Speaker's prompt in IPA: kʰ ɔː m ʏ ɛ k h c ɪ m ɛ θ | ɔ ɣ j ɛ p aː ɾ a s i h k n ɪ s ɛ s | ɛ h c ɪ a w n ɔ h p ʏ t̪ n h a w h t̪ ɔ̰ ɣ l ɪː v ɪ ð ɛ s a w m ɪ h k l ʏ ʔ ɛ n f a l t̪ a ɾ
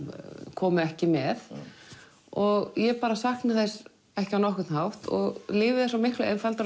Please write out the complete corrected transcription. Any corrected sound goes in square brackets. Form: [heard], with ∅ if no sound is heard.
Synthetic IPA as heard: kʰ ɔː m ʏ ɛ [∅] h c ɪ m ɛ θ | ɔ ɣ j ɛ p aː ɾ a s [a] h k n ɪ [θ] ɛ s | ɛ h c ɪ a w n ɔ h [k] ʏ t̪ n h a w h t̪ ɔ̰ ɣ l ɪː v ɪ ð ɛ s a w m ɪ h k l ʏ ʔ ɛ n f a l t̪ a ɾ